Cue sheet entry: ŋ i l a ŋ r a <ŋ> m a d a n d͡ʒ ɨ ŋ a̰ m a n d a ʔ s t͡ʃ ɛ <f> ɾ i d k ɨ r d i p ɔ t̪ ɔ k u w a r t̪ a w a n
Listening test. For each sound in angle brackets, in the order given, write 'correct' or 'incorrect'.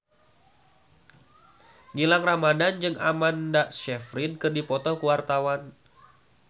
incorrect: none, correct

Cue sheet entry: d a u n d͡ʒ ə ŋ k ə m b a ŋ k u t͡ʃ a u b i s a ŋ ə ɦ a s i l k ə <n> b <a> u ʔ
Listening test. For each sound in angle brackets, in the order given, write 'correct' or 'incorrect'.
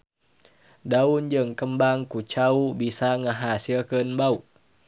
correct, correct

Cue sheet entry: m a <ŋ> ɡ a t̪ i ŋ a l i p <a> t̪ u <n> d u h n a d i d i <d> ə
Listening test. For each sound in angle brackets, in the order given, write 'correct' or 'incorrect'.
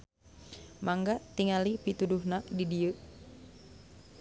correct, incorrect: i, incorrect: none, incorrect: none

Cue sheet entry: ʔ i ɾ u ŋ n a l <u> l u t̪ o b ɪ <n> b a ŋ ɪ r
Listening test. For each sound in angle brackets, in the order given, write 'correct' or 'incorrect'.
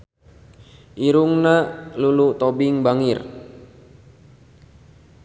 correct, incorrect: ŋ

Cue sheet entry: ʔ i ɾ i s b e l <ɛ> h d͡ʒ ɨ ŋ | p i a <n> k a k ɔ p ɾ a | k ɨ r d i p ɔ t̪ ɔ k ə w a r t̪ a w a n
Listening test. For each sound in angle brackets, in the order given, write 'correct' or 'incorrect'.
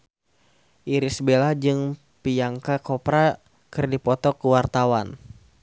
incorrect: a, incorrect: ŋ

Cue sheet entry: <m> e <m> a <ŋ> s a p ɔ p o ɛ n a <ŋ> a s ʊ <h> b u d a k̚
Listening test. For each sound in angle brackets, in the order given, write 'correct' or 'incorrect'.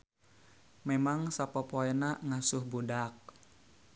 correct, correct, correct, correct, correct

